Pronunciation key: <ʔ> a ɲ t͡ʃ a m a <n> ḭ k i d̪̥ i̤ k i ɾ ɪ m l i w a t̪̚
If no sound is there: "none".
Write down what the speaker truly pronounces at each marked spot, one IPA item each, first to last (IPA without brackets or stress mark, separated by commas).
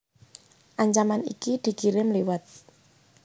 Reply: ʔ, n